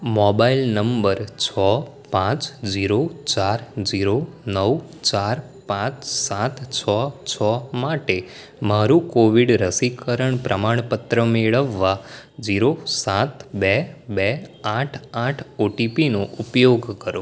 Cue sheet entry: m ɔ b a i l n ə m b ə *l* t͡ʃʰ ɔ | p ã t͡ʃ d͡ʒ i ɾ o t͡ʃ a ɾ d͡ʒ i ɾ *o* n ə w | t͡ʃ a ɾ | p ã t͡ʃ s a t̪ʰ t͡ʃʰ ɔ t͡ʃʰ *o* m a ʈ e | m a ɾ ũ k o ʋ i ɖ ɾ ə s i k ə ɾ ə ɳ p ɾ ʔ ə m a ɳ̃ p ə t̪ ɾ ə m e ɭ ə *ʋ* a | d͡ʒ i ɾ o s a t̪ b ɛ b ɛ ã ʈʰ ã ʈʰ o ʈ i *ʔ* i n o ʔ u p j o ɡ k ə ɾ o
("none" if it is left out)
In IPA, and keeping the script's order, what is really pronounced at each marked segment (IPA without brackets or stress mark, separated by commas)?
ɾ, o, ɔ, ʋː, p